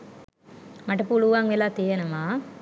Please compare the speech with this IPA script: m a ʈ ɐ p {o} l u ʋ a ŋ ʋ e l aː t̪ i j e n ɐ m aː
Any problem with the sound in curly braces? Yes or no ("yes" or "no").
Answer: yes